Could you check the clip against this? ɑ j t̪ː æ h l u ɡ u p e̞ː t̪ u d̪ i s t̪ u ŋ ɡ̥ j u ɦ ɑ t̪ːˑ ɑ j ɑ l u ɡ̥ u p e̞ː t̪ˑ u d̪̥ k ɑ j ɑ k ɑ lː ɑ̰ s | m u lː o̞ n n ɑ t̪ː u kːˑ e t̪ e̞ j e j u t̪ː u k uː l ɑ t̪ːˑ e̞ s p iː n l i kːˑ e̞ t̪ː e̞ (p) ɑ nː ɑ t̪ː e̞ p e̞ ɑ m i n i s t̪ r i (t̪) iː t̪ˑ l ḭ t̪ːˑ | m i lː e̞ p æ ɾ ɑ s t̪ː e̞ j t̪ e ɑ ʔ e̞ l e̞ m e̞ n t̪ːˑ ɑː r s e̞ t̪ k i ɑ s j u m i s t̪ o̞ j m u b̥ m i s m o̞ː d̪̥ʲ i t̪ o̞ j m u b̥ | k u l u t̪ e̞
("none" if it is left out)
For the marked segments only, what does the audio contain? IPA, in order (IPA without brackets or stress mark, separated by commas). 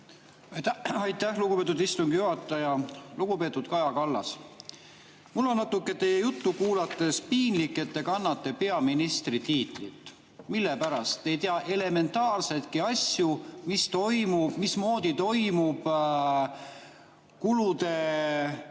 k, t̪